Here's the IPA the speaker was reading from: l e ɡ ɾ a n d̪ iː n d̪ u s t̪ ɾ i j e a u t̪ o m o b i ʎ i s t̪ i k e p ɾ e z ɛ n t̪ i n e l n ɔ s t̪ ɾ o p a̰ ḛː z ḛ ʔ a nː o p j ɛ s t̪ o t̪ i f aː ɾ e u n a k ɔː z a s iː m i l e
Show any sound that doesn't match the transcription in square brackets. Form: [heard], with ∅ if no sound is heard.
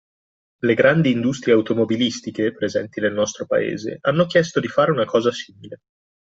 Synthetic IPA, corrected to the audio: l e ɡ ɾ a n d̪ iː n d̪ u s t̪ ɾ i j e a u t̪ o m o b i [l] i s t̪ i k e p ɾ e z ɛ n t̪ i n e l n ɔ s t̪ ɾ o p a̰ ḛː z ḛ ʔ a nː o [k] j ɛ s t̪ o [d̪] i f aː ɾ e u n a k ɔː z a s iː m i l e